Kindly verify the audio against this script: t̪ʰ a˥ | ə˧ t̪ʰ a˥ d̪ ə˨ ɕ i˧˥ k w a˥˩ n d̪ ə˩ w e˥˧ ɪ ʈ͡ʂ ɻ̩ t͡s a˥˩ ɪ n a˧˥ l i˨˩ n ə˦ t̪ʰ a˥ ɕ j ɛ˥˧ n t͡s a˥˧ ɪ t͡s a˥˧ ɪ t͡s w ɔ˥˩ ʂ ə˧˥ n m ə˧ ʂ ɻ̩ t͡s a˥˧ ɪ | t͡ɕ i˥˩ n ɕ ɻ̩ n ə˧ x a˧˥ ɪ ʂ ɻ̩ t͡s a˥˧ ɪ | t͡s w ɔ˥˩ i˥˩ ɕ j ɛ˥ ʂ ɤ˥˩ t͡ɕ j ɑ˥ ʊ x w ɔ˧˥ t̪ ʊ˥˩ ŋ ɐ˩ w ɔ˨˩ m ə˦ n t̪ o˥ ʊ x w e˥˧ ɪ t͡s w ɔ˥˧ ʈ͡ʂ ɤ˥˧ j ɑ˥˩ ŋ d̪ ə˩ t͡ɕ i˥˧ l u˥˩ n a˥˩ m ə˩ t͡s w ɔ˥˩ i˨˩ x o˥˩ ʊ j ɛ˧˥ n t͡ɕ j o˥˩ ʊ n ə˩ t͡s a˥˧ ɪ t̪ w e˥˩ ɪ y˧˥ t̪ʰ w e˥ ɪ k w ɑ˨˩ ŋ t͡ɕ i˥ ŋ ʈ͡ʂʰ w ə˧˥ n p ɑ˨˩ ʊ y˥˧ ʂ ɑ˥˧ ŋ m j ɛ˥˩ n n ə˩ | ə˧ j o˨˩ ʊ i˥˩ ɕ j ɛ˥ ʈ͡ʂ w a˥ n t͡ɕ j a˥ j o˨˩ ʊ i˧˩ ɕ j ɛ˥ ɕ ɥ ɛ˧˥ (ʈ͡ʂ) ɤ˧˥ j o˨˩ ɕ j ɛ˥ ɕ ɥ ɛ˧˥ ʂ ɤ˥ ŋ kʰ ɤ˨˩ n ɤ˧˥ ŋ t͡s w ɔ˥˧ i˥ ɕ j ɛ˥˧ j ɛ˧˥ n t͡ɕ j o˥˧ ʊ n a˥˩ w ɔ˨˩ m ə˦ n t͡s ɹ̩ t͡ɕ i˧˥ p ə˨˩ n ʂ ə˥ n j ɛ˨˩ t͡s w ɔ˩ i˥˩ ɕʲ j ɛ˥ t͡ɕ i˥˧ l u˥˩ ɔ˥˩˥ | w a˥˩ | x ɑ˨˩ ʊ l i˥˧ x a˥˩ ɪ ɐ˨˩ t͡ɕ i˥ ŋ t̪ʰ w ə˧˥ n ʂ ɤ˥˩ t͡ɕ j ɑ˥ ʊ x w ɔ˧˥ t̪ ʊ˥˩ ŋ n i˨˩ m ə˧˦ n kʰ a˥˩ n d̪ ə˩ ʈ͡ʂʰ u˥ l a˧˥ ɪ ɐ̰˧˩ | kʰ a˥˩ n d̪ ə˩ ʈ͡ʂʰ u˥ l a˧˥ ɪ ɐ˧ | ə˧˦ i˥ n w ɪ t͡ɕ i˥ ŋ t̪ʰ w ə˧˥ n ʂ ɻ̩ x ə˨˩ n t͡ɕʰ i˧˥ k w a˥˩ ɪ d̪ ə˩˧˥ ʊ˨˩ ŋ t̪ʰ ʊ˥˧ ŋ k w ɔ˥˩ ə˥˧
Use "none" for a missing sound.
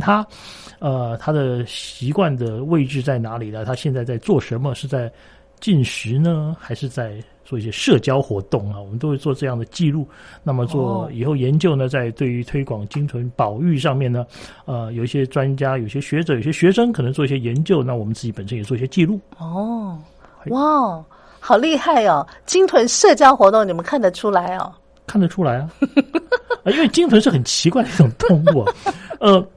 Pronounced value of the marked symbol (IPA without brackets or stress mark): ʈ͡ʂ